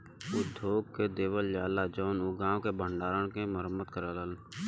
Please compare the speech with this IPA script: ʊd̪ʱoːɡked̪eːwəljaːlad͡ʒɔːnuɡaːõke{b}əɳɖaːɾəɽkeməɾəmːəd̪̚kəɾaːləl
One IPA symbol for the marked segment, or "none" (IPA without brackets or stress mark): b